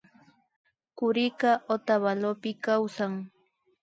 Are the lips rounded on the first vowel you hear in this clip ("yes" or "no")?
yes